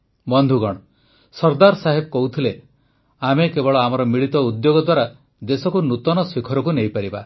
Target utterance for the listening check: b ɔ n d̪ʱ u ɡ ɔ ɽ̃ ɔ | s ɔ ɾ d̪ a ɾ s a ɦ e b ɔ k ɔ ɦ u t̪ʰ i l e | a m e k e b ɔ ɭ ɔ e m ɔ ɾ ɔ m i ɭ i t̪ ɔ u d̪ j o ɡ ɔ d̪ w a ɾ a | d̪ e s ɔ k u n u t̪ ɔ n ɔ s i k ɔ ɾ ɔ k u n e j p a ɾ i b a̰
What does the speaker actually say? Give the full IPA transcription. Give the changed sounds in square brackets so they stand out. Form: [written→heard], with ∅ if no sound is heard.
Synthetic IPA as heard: b ɔ n d̪ʱ u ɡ ɔ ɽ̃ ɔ | s ɔ ɾ d̪ a ɾ s a ɦ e b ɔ k ɔ ɦ u t̪ʰ i l e | a m e k e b ɔ ɭ ɔ [e→a] m ɔ ɾ ɔ m i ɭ i t̪ ɔ u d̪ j o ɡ ɔ d̪ w a ɾ a | d̪ e s ɔ k u n u t̪ ɔ n ɔ s i [k→kʰ] ɔ ɾ ɔ k u n e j p a ɾ i b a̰